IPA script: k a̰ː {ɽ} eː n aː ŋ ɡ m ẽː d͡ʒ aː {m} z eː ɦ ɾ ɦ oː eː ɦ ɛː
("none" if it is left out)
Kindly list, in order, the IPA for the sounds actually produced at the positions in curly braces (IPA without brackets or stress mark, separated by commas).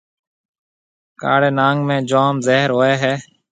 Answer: ɽ, m